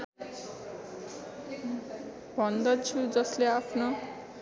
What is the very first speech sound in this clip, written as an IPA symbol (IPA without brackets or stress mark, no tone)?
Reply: bʱ